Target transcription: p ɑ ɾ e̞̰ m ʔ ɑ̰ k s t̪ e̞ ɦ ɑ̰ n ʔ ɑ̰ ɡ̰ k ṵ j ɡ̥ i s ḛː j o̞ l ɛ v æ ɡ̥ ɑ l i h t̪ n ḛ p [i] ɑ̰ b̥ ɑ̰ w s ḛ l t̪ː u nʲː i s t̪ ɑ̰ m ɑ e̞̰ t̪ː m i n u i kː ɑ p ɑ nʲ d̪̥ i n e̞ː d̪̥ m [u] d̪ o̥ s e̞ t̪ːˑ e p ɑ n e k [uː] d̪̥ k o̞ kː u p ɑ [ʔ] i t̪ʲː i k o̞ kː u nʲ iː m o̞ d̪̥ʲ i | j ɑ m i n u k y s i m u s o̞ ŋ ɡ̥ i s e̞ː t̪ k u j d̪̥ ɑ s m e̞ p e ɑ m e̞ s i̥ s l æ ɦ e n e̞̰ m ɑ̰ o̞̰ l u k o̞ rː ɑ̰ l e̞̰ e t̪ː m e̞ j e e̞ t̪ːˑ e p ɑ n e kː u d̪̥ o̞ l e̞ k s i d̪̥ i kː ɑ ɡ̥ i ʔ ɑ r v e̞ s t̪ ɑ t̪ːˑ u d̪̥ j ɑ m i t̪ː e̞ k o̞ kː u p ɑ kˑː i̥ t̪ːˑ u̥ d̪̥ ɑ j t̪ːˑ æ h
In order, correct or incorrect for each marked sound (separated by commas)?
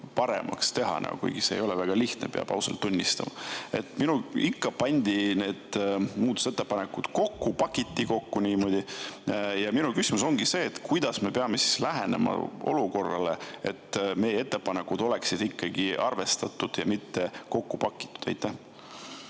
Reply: incorrect, incorrect, incorrect, incorrect